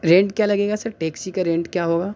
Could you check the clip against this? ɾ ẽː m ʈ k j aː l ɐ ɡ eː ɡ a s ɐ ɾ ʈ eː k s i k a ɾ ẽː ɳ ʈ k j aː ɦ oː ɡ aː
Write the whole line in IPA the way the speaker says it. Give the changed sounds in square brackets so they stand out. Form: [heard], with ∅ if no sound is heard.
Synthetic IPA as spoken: ɾ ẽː [ɳ] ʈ k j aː l ɐ ɡ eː ɡ a s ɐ ɾ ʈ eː k s i k a ɾ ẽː ɳ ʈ k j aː ɦ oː ɡ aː

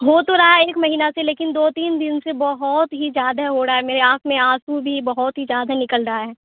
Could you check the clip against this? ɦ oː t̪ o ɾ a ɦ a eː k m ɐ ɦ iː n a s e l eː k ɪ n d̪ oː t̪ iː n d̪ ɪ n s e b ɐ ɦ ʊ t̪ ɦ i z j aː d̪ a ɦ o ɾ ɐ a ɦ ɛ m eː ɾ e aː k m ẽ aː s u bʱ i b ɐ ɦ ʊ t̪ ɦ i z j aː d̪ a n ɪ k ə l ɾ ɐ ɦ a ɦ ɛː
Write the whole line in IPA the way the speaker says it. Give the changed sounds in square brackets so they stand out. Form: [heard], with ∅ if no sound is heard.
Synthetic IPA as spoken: ɦ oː t̪ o ɾ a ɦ a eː k m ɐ ɦ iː n a s e l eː k ɪ n d̪ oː t̪ iː n d̪ ɪ n s e b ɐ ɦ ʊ t̪ ɦ i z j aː d̪ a ɦ o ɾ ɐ a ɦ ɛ m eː ɾ e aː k m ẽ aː s u bʱ i b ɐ ɦ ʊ t̪ ɦ i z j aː d̪ a n ɪ k ə l ɾ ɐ ɦ a ɦ ɛː

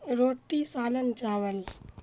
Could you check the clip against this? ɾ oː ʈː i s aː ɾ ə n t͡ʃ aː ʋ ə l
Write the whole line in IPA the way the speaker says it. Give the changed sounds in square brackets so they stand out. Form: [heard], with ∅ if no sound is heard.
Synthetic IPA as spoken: ɾ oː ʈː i s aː [l] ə n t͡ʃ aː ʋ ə l

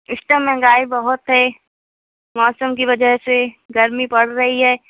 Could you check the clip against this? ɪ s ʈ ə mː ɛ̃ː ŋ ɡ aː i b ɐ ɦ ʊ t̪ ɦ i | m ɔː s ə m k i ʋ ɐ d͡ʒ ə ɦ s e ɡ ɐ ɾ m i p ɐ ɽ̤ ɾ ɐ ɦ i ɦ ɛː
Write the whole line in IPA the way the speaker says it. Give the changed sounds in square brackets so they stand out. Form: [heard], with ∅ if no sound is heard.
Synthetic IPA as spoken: ɪ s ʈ ə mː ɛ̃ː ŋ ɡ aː i b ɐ ɦ ʊ t̪ ɦ [ɛ] | m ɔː s ə m k i ʋ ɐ d͡ʒ ə ɦ s e ɡ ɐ ɾ m i p ɐ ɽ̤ ɾ ɐ ɦ i ɦ ɛː

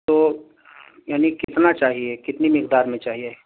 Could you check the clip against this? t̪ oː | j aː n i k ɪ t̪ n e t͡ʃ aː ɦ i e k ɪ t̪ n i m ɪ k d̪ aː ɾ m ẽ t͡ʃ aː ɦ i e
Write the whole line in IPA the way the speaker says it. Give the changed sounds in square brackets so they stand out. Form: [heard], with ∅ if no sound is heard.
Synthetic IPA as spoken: t̪ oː | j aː n i k ɪ t̪ n [a] t͡ʃ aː ɦ i e k ɪ t̪ n i m ɪ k d̪ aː ɾ m ẽ t͡ʃ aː ɦ i e

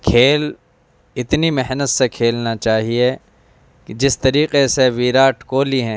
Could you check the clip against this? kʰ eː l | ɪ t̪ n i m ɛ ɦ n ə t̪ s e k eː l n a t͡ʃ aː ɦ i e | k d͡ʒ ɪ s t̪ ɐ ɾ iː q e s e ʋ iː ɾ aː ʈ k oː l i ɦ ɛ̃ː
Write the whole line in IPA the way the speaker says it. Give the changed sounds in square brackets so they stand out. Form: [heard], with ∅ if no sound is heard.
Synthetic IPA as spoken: kʰ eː l | ɪ t̪ n i m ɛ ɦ n ə t̪ s e [kʰ] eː l n a t͡ʃ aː ɦ i e | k d͡ʒ ɪ s t̪ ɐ ɾ iː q e s e ʋ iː ɾ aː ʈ k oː l i ɦ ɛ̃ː

